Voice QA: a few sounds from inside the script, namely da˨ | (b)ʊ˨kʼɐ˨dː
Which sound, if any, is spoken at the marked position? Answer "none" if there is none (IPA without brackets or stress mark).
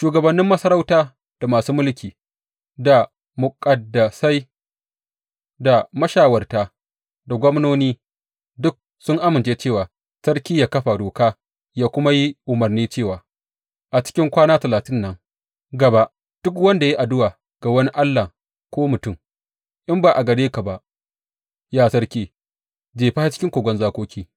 m